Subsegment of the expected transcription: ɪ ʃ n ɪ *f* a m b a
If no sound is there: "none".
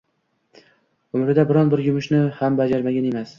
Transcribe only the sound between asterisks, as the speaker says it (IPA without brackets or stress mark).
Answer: h